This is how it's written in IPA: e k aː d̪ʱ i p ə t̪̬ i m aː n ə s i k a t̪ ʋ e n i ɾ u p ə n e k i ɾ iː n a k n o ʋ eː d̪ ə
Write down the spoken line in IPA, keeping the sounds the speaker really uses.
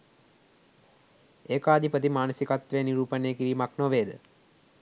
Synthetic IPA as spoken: e k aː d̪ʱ i p ə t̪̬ i m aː n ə s i k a t̪ ʋ e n i ɾ uː p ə n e k i ɾ iː m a k n o ʋ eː d̪ ə